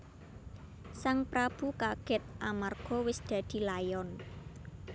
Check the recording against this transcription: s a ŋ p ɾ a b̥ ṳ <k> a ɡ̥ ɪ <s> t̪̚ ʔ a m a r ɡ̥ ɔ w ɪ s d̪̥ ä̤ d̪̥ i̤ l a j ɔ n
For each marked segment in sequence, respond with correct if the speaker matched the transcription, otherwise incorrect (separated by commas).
correct, incorrect